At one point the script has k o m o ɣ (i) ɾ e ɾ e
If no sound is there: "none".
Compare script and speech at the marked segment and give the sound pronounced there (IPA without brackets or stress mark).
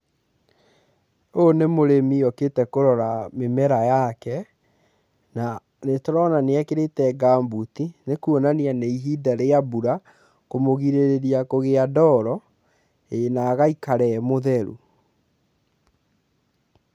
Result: i